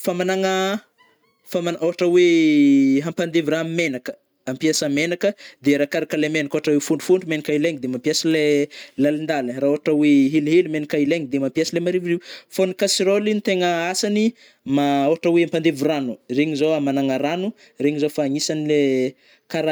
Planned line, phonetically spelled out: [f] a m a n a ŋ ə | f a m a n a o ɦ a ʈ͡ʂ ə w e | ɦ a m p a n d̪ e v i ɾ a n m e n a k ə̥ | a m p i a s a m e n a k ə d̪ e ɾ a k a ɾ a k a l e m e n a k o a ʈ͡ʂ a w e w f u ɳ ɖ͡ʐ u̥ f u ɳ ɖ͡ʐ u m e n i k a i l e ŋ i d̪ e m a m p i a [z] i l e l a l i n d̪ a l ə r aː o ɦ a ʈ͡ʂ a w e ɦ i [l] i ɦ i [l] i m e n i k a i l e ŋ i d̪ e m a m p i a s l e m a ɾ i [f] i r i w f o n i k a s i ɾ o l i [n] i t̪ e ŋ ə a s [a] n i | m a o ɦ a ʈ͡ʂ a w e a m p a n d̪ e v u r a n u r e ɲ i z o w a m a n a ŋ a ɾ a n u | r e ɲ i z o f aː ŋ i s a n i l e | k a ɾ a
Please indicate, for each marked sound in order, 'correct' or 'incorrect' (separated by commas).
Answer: correct, incorrect, correct, correct, incorrect, correct, correct